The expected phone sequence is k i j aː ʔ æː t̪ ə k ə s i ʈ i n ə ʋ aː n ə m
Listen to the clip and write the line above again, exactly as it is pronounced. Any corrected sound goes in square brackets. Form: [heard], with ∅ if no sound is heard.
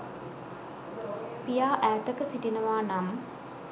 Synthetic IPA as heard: [p] i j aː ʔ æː t̪ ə k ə s i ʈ i n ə ʋ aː n [a] m